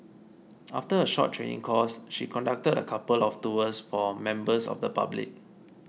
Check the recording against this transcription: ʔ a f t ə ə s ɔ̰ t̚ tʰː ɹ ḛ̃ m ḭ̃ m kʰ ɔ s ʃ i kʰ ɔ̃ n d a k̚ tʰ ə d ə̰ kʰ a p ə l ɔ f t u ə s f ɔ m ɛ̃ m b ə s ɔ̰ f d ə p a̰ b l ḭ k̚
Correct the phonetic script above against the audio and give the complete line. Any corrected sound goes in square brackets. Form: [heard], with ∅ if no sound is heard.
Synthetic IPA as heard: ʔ a f t ə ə [ʃ] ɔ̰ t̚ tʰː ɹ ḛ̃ [n] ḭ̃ [ŋ] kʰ ɔ s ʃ i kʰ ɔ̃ n d a k̚ [t] ə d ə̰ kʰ a p ə l ɔ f t u ə s f ɔ m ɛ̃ m b ə s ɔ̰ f d ə p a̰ b l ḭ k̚